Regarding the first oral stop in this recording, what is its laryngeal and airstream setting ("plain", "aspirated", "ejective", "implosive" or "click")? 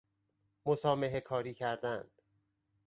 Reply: aspirated